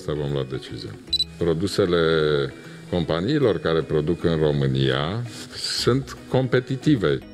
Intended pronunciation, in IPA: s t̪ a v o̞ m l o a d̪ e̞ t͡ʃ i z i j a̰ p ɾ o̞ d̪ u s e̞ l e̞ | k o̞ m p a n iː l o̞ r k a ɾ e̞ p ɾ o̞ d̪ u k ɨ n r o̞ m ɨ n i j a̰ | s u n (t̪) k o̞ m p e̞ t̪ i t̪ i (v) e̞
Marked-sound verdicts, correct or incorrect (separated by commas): correct, correct